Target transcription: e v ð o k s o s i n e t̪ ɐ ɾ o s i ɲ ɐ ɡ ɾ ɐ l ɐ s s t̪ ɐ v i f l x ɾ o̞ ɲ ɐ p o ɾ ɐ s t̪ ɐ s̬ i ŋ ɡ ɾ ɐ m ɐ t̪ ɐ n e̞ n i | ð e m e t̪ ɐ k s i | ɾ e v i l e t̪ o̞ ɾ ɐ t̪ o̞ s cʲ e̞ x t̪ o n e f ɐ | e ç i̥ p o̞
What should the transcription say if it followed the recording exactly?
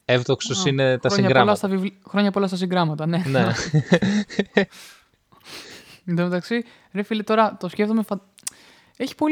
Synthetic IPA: e v ð o k s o s i n e t̪ ɐ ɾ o s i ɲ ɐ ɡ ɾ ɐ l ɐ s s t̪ ɐ v i v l x ɾ o̞ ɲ ɐ p o l ɐ s t̪ ɐ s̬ i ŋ ɡ ɾ ɐ m ɐ t̪ ɐ n e̞ n e | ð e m e t̪ ɐ k s i | ɾ e f i l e t̪ o̞ ɾ ɐ t̪ o̞ s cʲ e̞ f t̪ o m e f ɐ | e ç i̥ p o̞